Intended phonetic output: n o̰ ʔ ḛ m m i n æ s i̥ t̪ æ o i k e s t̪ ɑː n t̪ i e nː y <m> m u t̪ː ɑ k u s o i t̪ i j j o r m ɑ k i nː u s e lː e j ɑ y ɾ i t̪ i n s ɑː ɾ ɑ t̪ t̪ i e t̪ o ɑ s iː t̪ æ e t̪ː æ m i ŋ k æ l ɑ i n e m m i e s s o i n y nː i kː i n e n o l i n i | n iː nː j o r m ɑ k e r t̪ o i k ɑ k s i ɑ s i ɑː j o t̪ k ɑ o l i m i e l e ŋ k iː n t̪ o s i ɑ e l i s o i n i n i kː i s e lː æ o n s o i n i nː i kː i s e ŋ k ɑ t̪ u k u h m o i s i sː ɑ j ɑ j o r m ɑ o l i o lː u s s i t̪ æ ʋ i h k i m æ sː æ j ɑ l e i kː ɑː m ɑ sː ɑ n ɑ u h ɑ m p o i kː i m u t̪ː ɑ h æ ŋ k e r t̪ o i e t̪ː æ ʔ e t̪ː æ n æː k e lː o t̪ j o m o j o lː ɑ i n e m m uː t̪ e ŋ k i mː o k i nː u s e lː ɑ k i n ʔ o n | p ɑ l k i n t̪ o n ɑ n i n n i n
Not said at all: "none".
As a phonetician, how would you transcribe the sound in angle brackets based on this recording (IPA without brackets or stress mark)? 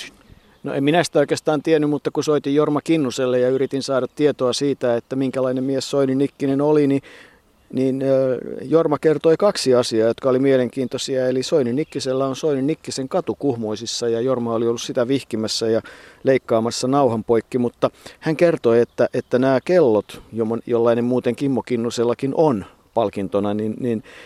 m